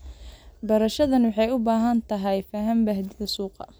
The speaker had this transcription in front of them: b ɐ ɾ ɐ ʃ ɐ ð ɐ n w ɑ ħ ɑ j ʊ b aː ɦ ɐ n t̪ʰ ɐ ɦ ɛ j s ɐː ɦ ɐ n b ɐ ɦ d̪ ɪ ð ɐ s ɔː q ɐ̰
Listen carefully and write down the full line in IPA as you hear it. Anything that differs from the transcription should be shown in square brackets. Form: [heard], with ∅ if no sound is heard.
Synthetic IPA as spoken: b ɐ ɾ ɐ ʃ ɐ ð ɐ n w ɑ ħ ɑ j ʊ b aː ɦ ɐ n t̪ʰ ɐ ɦ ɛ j [f] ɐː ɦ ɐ [m] b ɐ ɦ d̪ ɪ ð ɐ s [uː] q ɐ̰